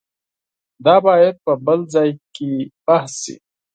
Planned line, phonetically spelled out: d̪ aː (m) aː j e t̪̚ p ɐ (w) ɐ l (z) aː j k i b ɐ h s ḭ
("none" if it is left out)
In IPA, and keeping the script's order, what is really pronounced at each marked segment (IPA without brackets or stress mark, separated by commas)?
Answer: b, b, z